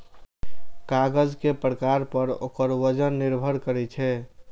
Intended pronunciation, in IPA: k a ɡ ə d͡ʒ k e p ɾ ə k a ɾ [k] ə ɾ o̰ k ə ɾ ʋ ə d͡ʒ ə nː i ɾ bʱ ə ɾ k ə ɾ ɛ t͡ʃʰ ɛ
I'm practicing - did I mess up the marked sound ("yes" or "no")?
yes